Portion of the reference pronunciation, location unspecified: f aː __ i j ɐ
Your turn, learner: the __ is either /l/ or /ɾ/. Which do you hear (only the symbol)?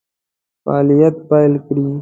l